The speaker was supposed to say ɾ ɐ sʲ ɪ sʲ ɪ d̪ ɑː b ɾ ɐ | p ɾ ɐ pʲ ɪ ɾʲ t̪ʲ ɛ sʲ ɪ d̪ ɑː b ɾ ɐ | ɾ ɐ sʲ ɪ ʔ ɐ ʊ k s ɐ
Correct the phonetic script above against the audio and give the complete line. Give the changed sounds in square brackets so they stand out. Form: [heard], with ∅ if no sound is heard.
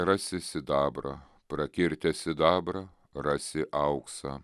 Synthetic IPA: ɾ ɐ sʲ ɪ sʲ ɪ d̪ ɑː b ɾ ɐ | p ɾ ɐ [kʲ] ɪ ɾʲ t̪ʲ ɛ sʲ ɪ d̪ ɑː b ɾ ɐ | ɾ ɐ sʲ ɪ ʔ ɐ ʊ k s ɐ